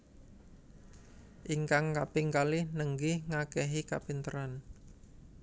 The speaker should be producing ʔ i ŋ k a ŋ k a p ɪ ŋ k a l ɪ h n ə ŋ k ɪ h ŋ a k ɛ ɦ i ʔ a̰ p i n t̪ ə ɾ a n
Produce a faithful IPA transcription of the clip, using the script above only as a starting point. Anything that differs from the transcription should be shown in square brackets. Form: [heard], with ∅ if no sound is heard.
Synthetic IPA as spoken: ʔ i ŋ k a ŋ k a p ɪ ŋ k a l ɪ h n ə ŋ [ɡ] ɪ h ŋ a k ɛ ɦ i [k] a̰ p i n t̪ ə ɾ a n